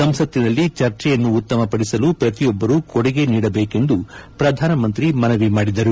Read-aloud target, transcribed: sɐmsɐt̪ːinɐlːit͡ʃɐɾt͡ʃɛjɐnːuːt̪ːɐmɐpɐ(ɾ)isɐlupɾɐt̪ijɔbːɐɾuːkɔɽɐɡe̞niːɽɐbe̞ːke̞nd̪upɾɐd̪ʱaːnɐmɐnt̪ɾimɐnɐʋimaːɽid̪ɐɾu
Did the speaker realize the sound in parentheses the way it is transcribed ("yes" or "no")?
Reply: no